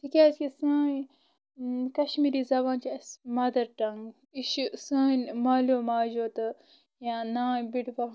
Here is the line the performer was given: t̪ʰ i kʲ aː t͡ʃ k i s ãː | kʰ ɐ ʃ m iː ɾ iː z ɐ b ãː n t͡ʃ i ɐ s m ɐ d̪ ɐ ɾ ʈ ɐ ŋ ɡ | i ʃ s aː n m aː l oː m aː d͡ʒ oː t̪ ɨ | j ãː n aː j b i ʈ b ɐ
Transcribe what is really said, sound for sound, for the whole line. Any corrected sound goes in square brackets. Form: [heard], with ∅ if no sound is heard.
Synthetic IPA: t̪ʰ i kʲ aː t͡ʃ k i s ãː | [k] ɐ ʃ m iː ɾ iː z ɐ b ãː n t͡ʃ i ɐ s m ɐ d̪ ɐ ɾ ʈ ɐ ŋ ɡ | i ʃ s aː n m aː l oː m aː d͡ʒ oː t̪ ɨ | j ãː n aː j b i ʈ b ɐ

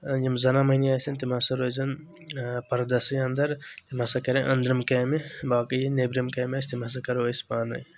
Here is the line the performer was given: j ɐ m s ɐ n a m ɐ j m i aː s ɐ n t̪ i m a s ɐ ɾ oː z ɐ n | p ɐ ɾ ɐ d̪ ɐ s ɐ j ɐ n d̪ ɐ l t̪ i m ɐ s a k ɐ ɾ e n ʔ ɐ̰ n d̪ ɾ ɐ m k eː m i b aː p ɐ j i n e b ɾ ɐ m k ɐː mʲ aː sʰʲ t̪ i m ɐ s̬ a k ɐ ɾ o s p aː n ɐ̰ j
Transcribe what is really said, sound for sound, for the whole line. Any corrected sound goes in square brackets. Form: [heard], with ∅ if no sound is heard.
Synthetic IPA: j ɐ m [z] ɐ n a m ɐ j [n] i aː s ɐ n t̪ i m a s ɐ ɾ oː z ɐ n | p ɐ ɾ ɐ d̪ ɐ s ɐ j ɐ n d̪ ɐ [ɾ] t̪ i m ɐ s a k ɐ ɾ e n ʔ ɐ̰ n d̪ ɾ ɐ m k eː m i b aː [k] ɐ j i n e b ɾ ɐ m k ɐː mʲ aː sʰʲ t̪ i m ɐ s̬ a k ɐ ɾ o s p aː n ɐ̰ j

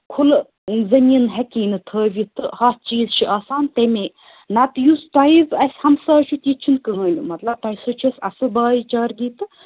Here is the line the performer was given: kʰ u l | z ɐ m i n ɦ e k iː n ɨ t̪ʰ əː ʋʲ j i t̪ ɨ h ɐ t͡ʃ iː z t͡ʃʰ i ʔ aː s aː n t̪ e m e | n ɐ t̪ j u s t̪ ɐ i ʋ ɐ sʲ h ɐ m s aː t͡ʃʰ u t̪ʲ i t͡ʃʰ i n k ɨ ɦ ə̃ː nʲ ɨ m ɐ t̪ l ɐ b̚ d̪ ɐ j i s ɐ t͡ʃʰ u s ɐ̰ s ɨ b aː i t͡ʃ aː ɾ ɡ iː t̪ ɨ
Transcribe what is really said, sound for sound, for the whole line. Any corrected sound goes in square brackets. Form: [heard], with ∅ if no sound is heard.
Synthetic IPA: kʰ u l | z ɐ m i n ɦ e k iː n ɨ t̪ʰ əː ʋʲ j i t̪ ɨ h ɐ t͡ʃ iː z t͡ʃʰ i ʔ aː s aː n t̪ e m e | n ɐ t̪ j u s t̪ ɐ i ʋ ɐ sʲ h ɐ m s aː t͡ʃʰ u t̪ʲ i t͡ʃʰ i n k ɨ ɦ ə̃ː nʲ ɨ m ɐ t̪ l ɐ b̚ [t̪] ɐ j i s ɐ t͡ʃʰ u s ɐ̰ s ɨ b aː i t͡ʃ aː ɾ ɡ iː t̪ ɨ

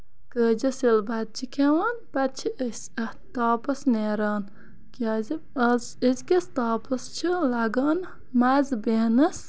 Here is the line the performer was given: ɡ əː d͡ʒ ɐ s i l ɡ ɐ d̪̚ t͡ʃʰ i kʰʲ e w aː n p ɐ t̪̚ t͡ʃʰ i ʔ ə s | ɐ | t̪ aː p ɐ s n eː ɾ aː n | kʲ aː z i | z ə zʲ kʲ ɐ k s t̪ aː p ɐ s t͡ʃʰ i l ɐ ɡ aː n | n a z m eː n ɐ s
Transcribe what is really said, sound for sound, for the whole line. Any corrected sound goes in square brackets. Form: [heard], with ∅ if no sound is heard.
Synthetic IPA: [k] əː d͡ʒ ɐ s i l [b] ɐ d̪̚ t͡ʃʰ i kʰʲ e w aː n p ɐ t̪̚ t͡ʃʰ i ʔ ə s | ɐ | t̪ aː p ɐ s n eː ɾ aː n | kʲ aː z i | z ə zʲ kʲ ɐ [∅] s t̪ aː p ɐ s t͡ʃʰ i l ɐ ɡ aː n | [m] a z [b] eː n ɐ s

